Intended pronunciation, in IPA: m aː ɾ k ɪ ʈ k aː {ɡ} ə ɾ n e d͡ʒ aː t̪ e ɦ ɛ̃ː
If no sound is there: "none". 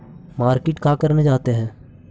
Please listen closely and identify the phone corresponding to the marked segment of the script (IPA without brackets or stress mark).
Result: k